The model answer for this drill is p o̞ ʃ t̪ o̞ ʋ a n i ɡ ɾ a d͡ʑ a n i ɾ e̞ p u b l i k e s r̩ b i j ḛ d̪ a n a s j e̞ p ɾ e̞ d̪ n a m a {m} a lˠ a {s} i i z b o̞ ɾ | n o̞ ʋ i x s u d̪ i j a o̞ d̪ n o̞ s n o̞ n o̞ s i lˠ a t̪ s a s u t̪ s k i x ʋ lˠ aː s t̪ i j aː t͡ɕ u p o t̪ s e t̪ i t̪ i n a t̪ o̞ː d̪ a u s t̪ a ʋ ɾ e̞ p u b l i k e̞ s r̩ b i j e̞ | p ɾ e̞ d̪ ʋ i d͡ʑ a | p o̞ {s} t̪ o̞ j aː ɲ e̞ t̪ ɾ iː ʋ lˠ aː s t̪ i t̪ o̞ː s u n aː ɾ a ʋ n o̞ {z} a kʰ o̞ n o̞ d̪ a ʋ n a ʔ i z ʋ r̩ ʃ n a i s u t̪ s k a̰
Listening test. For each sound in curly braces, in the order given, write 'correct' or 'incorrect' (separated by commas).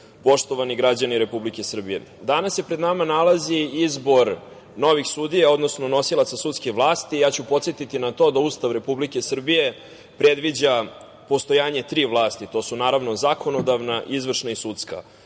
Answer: incorrect, incorrect, correct, correct